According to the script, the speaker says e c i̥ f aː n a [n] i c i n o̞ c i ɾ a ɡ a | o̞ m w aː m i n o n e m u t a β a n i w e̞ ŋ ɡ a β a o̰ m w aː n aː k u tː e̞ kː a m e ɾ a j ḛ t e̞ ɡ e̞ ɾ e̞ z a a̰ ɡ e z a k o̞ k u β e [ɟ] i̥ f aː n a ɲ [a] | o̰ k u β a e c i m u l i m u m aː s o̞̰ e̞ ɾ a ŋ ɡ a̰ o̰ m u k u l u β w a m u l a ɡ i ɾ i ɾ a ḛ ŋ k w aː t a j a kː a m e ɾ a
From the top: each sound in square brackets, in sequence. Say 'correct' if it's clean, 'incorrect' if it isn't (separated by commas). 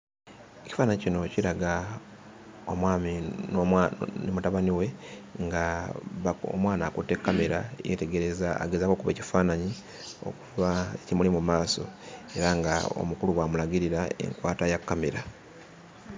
incorrect, incorrect, incorrect